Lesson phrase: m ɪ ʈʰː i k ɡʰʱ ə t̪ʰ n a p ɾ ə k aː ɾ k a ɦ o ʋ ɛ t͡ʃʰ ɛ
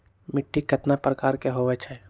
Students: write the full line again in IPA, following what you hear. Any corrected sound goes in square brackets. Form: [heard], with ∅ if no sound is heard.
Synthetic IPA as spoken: m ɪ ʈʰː i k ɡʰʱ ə [t̪] n a p ɾ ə k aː ɾ k [e] ɦ o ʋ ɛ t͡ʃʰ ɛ